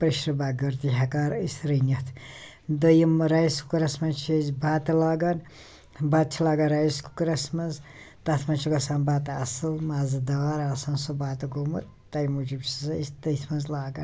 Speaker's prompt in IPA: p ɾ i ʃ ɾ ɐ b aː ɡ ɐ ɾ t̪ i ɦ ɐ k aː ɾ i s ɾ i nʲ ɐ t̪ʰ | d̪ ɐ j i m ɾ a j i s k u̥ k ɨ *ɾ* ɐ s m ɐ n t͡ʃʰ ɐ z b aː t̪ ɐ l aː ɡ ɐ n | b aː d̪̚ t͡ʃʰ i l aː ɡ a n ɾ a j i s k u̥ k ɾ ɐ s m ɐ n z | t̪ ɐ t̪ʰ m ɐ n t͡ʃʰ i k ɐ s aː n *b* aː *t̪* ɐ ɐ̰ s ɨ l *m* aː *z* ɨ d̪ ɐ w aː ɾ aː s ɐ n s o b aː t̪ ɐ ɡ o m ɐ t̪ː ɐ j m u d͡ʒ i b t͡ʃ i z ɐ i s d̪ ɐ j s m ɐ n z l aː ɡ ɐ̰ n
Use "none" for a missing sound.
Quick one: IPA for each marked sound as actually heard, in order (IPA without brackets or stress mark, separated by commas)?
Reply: ɾ, b, t̪, m, z